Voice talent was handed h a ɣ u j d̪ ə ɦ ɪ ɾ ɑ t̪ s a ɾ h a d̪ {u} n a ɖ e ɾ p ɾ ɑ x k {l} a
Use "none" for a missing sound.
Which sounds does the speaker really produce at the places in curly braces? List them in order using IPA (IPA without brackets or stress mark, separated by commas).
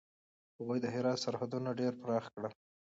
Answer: u, ɽ